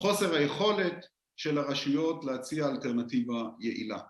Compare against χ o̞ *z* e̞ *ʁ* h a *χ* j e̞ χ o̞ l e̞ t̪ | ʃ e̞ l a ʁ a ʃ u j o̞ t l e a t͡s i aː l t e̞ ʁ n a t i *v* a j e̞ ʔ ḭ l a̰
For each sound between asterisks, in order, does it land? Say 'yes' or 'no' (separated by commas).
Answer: no, yes, no, yes